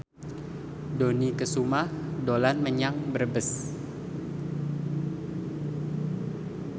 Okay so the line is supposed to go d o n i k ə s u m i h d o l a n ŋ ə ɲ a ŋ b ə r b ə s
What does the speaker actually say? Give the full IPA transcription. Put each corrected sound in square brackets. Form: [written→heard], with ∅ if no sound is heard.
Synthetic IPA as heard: d o n i k ə s u m [i→a] h d o l a n [ŋ→m] ə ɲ a ŋ b ə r b ə s